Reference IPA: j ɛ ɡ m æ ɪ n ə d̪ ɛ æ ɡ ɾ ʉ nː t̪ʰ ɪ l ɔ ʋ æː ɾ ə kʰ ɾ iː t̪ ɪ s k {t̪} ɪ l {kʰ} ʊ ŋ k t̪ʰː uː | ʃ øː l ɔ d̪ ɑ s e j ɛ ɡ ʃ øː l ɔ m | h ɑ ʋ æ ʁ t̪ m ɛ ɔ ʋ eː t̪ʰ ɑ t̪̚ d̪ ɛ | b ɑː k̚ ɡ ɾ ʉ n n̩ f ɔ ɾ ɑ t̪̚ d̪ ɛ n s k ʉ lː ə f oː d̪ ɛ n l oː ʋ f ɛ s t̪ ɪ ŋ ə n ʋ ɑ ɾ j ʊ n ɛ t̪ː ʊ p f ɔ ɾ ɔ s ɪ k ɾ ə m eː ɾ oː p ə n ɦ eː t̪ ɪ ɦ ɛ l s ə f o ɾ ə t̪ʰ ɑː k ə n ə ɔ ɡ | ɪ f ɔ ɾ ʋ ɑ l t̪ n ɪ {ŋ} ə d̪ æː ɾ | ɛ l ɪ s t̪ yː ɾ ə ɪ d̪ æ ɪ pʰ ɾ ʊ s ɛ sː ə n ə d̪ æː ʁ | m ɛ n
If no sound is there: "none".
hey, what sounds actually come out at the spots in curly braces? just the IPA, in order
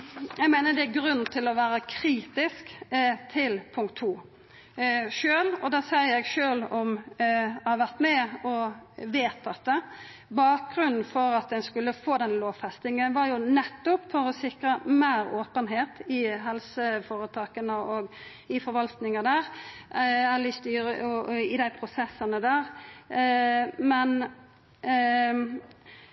t̪ʰ, pʰ, ŋ

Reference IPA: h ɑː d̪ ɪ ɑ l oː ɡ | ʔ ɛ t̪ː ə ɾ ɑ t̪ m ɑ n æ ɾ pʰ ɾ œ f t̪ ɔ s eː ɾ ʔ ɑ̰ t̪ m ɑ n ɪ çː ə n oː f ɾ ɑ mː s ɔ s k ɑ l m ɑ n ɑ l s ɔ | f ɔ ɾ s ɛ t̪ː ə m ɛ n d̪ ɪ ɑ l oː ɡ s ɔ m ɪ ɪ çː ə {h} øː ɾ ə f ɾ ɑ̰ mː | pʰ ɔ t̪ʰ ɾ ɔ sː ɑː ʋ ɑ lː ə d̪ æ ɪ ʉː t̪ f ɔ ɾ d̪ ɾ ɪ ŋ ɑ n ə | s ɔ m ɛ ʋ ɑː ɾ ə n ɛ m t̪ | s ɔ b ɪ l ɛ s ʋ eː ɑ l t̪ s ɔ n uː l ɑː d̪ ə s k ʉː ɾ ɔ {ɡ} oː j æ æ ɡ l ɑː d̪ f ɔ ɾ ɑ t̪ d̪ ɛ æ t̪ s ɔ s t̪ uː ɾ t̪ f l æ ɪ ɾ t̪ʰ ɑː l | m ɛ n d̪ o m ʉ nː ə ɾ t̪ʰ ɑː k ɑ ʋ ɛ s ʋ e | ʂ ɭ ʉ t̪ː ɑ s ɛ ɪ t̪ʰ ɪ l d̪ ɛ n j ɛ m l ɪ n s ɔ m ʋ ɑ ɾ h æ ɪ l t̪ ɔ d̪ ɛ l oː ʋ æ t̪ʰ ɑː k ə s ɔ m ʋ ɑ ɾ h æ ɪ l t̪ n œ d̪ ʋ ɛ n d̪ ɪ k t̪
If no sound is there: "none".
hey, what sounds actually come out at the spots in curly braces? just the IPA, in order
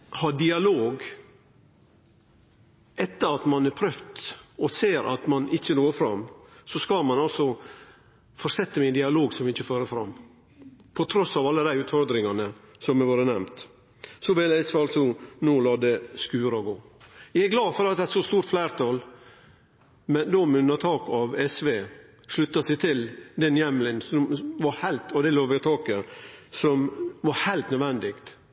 f, ɡ

